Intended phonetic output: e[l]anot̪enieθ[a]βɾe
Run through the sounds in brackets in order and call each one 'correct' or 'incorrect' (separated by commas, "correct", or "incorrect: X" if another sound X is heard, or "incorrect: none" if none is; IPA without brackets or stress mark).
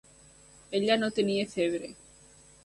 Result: incorrect: ʎ, incorrect: e